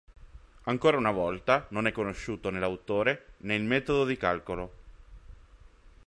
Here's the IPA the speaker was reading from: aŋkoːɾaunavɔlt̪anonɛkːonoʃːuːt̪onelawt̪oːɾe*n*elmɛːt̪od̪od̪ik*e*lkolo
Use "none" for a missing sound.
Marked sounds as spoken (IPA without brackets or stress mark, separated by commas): n, a